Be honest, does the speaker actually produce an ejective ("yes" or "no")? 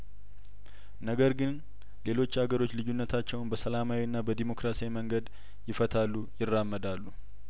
no